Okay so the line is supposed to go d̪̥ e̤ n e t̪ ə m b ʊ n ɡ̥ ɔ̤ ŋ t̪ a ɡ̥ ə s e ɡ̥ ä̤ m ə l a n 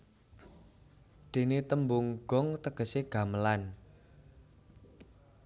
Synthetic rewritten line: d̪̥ e̤ n e t̪ ə m b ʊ ŋ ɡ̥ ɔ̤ ŋ t̪ ə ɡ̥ ə s e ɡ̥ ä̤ m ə l a n